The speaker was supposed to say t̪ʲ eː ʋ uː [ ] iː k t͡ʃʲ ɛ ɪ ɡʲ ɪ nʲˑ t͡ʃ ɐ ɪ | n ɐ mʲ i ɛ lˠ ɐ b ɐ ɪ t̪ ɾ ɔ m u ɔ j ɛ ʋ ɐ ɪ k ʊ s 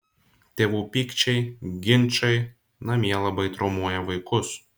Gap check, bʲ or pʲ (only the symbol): pʲ